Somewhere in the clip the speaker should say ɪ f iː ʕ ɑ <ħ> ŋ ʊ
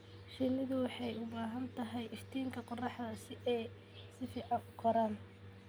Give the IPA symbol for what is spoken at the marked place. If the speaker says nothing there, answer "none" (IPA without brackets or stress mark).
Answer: none